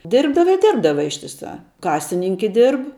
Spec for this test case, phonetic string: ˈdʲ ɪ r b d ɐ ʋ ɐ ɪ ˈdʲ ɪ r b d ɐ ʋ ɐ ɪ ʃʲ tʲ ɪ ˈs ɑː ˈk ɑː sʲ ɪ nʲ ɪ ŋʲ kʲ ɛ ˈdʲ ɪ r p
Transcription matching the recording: ˈdʲ ɪ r b d ɐ ʋ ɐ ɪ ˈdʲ ɪ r b d ɐ ʋ ɐ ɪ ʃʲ tʲ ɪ ˈs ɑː ˈk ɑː sʲ ɪ nʲ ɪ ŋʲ kʲ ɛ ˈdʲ ɪ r p